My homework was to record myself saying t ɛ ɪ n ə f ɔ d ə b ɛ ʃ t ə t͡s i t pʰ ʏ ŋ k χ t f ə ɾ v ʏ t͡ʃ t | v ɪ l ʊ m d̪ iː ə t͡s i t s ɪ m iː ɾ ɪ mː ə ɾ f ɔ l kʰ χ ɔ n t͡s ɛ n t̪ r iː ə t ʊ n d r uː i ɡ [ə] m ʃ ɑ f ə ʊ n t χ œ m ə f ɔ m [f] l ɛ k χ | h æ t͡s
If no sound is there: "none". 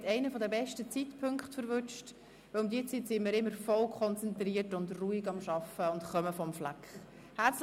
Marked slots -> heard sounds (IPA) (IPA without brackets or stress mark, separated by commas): ɑ, f